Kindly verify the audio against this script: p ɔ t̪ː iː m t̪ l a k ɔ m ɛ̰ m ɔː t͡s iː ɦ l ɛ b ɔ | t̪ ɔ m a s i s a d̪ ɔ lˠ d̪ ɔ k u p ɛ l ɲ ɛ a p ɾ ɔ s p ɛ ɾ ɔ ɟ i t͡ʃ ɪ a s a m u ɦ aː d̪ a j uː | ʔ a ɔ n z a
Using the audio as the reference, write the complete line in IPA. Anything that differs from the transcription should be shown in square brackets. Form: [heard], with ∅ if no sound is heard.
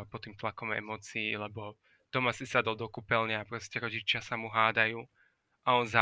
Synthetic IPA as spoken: p ɔ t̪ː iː m t̪ l a k ɔ m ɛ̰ m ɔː t͡s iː [∅] l ɛ b ɔ | t̪ ɔ m a s i s a d̪ ɔ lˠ d̪ ɔ k u p ɛ l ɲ ɛ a p ɾ ɔ s [c] ɛ ɾ ɔ ɟ i t͡ʃ ɪ a s a m u ɦ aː d̪ a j uː | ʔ a ɔ n z a